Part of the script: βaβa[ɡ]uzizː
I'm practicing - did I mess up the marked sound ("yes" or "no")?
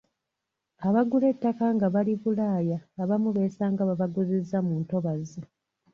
no